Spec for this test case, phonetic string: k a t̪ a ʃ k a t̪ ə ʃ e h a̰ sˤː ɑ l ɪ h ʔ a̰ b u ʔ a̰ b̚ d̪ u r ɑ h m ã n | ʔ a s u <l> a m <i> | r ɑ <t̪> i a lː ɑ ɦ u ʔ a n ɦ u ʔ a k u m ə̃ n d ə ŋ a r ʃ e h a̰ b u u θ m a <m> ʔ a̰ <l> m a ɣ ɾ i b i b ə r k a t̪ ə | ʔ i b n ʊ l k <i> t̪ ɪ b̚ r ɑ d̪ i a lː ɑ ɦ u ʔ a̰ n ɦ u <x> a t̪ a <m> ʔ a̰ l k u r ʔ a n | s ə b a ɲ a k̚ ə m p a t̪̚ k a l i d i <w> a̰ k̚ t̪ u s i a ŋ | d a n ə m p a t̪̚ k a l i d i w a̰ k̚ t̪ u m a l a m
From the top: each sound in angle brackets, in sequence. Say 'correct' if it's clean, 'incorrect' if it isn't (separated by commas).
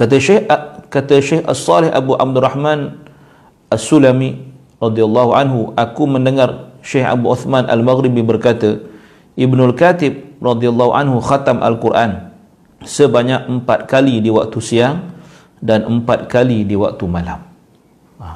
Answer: correct, correct, incorrect, incorrect, correct, incorrect, correct, correct, correct